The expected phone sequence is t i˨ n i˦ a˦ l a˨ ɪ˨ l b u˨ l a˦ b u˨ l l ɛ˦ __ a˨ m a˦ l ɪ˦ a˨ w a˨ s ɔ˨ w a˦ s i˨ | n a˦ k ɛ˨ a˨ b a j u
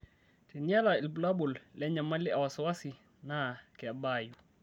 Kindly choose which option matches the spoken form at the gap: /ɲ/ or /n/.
ɲ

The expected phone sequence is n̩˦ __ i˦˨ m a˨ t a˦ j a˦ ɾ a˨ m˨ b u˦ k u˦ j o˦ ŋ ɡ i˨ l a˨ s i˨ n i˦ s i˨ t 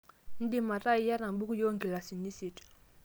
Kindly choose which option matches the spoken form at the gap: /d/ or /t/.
d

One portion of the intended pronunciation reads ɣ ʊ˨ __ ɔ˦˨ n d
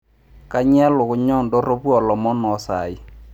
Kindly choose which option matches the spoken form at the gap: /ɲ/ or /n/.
ɲ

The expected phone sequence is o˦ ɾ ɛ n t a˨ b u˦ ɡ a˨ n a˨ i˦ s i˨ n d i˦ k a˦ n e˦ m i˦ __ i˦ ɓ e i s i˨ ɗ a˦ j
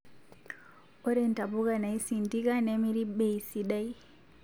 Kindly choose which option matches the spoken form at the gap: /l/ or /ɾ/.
ɾ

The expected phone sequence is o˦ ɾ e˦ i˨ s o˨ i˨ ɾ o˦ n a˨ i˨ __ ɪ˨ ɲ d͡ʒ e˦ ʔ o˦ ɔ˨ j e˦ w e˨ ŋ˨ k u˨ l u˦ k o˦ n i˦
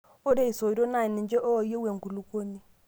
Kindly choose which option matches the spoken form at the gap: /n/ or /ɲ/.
n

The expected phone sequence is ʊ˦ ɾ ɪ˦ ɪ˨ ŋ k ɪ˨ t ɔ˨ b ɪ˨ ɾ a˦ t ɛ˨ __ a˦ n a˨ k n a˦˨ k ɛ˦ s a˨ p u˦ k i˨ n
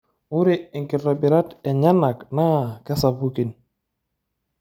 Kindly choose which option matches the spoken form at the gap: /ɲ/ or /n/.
ɲ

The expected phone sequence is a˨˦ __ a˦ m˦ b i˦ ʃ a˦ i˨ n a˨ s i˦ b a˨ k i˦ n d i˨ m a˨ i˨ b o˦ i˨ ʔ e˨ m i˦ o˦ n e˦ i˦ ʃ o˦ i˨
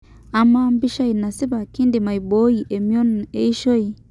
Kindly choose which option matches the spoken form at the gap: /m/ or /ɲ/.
m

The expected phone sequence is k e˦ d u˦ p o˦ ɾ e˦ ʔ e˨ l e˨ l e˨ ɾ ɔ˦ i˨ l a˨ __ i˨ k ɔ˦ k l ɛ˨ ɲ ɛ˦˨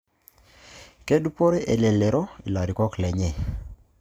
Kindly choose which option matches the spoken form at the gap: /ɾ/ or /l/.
ɾ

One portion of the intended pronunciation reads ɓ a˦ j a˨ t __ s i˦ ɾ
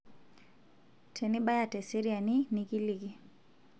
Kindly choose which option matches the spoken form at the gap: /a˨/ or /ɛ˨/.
ɛ˨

